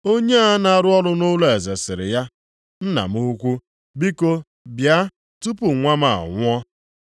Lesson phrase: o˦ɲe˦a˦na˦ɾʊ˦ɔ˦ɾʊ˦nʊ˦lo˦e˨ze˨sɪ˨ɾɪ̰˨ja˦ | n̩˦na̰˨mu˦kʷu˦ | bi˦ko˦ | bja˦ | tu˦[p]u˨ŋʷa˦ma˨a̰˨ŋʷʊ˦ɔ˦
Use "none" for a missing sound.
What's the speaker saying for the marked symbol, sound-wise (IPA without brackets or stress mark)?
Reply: p